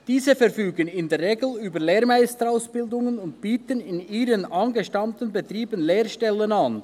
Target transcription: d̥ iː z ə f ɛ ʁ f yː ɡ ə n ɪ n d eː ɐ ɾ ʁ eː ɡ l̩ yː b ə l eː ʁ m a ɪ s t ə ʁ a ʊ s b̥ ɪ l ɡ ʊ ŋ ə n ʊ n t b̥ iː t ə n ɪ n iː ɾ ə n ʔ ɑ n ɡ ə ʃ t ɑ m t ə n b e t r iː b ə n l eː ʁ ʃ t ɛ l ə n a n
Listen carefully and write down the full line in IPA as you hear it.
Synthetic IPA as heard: d̥ iː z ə f ɛ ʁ f yː ɡ ə n ɪ n d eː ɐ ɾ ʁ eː ɡ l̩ yː b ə l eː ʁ m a ɪ s t ə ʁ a ʊ s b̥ ɪ l d ʊ ŋ ə n ʊ n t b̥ iː t ə n ɪ n iː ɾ ə n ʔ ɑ n ɡ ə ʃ t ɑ m t ə n b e t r iː b ə n l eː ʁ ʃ t ɛ l ə n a n